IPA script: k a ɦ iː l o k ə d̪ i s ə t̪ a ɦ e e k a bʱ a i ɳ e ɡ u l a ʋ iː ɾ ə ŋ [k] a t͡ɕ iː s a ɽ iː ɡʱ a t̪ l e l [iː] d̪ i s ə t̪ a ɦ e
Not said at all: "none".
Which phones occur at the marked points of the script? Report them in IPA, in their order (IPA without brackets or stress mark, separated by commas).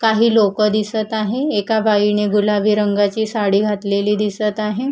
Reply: ɡ, iː